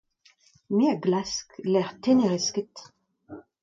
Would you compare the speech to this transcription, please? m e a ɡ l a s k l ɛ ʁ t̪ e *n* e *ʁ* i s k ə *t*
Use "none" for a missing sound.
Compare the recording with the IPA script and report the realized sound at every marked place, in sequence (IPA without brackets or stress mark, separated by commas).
n, ʁ, t